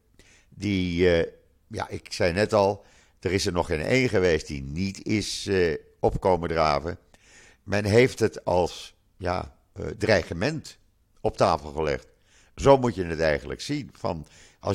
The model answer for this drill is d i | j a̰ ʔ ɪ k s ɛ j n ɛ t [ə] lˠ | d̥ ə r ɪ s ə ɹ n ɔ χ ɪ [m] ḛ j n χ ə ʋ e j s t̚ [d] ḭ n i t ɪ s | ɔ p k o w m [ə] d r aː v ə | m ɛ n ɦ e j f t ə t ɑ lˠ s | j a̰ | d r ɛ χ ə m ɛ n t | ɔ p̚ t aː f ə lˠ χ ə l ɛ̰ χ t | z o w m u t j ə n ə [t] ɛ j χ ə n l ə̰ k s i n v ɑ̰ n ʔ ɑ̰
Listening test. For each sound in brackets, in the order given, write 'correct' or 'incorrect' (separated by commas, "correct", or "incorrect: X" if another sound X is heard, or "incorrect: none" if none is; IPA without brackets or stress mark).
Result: incorrect: ɑ, incorrect: n, correct, correct, correct